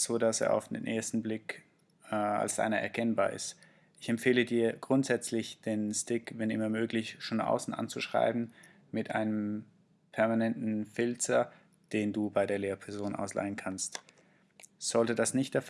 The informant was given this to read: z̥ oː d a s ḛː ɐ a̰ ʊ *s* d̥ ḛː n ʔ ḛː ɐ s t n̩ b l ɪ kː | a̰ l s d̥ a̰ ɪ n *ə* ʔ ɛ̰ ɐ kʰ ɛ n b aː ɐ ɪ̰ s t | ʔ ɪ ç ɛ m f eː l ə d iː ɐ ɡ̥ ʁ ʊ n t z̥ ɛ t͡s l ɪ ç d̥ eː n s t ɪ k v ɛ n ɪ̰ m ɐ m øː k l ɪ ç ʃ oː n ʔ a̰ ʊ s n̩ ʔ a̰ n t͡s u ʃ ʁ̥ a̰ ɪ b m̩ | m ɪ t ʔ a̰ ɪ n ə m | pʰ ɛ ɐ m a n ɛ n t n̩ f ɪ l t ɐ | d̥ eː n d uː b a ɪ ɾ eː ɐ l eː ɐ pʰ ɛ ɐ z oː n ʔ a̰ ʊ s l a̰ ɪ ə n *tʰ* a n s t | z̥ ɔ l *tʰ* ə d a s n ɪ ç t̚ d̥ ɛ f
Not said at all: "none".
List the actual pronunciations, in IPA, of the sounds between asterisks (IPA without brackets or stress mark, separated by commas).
f, ɐ, kʰ, t